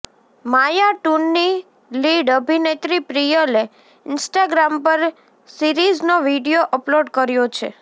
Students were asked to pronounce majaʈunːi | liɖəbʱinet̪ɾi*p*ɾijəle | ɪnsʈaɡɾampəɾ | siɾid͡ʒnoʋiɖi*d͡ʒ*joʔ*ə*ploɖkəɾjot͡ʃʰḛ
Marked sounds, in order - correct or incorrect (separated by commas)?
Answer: correct, incorrect, correct